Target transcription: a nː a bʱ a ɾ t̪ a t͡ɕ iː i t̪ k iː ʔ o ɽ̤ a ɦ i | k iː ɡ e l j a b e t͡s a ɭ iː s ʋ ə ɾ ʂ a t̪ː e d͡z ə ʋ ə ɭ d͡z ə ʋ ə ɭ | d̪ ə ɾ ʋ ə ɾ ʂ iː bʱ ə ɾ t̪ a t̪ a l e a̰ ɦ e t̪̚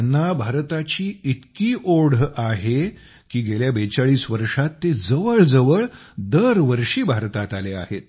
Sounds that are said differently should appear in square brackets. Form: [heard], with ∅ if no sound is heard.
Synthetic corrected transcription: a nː a bʱ a ɾ t̪ a t͡ɕ iː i t̪ k iː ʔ o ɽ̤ a ɦ [e] | k iː ɡ e l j a b e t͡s a ɭ iː s ʋ ə ɾ ʂ a t̪ː e d͡z ə ʋ ə ɭ d͡z ə ʋ ə ɭ | d̪ ə ɾ ʋ ə ɾ ʂ iː bʱ [a] ɾ t̪ a t̪ a l e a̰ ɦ e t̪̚